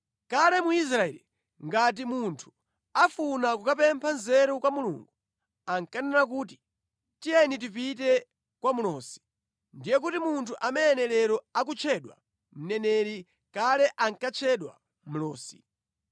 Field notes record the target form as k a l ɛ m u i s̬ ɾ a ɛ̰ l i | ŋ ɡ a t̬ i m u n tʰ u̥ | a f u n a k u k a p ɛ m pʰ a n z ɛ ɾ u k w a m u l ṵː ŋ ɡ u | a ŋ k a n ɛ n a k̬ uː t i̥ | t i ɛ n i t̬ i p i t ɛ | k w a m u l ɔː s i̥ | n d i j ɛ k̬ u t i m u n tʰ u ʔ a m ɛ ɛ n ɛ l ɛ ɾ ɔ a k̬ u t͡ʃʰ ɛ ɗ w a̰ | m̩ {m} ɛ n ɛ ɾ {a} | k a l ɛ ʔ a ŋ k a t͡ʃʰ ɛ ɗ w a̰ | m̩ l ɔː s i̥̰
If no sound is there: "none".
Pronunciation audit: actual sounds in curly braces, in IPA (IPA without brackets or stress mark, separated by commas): n, i